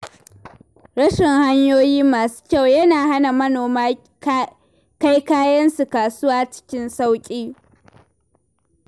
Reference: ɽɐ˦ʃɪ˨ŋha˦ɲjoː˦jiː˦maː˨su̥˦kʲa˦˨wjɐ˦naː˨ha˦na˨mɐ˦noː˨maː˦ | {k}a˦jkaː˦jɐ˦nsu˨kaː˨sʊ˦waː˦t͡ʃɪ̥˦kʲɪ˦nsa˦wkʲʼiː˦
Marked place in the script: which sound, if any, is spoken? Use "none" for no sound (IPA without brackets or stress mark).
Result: k